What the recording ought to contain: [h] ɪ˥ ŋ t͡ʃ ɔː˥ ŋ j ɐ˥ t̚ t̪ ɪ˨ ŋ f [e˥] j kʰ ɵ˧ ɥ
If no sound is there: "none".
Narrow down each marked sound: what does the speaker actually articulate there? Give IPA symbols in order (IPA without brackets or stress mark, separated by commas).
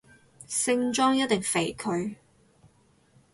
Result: s, e˨˩